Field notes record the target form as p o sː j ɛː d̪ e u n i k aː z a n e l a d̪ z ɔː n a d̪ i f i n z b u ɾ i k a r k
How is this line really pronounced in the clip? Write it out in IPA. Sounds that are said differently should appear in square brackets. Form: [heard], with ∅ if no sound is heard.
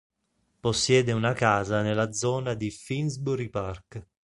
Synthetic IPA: p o sː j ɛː d̪ e u n [a] k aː z a n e l a d̪ z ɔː n a d̪ i f i n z b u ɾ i [p] a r k